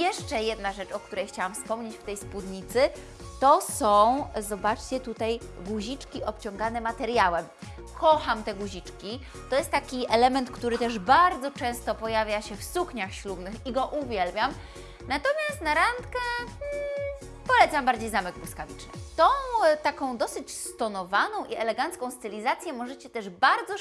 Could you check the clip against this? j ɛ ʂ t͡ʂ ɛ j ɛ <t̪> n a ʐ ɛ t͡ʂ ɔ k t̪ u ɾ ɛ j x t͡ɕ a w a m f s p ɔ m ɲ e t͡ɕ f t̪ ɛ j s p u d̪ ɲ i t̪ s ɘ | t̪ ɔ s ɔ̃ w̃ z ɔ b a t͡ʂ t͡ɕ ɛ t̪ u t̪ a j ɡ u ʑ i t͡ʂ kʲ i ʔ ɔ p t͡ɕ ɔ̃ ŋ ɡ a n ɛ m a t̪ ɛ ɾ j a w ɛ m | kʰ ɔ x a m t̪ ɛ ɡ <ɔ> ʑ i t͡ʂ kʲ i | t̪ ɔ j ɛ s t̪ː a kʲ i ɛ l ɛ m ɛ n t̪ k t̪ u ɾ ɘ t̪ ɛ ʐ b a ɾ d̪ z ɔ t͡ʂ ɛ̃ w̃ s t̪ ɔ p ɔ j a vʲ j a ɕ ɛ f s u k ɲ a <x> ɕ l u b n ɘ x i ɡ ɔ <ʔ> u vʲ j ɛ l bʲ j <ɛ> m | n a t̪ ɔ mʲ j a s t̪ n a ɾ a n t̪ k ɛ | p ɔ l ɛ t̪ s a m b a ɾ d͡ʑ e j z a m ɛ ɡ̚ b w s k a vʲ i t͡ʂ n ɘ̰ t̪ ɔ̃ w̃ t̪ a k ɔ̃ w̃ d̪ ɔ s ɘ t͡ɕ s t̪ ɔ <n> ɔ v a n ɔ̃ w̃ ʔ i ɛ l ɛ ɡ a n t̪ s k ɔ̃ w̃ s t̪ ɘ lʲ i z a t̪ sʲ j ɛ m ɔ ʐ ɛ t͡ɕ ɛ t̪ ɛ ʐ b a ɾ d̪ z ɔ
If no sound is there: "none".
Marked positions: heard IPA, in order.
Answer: d̪, u, x, ʔ, a, n

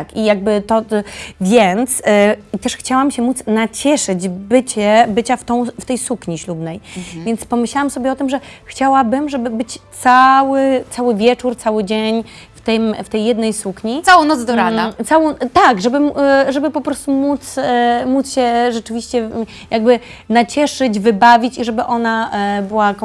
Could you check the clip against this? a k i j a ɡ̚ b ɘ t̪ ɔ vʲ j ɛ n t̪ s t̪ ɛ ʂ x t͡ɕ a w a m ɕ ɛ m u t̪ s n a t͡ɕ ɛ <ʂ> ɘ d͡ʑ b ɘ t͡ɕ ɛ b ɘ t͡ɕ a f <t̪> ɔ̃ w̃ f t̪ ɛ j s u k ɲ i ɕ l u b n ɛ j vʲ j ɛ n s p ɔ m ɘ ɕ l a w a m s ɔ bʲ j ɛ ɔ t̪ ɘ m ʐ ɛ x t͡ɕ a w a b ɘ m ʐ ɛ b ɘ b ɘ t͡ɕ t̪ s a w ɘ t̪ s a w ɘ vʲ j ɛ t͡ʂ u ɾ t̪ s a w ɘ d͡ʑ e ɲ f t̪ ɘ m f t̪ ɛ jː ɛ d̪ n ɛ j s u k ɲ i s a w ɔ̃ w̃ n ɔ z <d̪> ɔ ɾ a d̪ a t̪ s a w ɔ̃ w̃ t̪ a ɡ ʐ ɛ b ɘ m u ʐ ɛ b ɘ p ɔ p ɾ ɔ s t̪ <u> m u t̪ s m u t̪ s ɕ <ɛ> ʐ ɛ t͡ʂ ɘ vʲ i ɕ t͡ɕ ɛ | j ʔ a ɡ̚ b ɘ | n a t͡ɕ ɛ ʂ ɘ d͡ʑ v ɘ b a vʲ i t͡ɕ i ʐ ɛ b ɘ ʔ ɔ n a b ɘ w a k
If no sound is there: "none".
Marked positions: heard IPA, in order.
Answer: ʂ, t̪, d̪, u, ɛ

